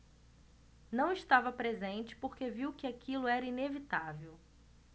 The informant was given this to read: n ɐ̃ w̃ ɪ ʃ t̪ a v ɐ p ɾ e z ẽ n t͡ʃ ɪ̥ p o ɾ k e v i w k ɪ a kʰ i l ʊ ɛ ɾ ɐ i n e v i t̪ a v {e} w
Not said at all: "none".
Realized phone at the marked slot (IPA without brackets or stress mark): e